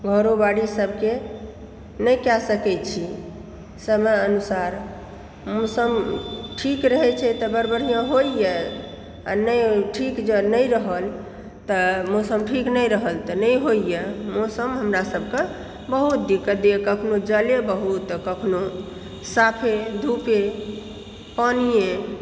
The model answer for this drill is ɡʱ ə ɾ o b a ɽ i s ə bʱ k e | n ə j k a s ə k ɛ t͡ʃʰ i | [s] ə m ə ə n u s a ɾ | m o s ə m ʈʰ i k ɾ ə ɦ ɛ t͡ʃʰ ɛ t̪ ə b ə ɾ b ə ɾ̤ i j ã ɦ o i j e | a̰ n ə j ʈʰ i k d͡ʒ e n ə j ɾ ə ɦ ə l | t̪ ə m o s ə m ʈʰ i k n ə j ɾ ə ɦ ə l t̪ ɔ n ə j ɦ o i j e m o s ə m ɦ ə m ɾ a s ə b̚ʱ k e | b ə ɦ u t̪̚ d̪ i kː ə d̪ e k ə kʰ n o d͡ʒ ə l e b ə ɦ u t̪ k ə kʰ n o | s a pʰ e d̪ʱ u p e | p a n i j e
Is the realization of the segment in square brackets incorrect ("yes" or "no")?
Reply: no